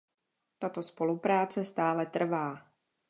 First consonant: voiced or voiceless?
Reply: voiceless